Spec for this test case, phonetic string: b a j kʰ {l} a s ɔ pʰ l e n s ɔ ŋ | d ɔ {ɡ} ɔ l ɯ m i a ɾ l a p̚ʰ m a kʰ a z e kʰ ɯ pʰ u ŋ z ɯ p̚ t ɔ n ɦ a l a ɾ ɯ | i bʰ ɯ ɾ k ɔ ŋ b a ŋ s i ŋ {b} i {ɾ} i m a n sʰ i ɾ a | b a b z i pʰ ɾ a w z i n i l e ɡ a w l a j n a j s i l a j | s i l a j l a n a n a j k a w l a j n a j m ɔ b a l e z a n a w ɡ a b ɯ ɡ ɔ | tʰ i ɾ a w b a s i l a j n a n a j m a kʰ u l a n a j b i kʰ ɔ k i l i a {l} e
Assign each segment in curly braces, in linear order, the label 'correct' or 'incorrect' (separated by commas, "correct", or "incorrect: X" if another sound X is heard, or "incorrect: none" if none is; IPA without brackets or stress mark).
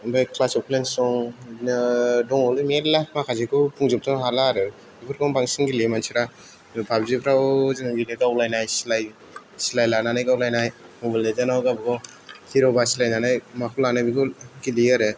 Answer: correct, incorrect: ŋ, incorrect: ɡ, incorrect: l, incorrect: ɾ